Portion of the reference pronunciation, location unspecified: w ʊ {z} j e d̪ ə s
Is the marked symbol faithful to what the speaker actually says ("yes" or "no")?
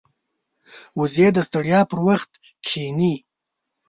yes